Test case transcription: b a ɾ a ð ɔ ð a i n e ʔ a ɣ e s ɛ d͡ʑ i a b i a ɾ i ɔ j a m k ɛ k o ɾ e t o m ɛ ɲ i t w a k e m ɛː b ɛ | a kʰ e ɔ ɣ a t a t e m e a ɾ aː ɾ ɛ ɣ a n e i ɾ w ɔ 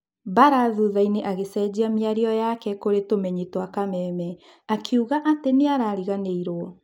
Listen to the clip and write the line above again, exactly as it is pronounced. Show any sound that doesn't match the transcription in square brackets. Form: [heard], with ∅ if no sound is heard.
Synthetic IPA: b a ɾ a ð [u] ð a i n e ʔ a ɣ e s ɛ d͡ʑ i a [m] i a ɾ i ɔ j a [∅] k ɛ k o ɾ e t o m ɛ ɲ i t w a k [a] m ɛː [m] ɛ | a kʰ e [u] ɣ a [ʔ] a t e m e a ɾ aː ɾ [i] ɣ a n e i ɾ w ɔ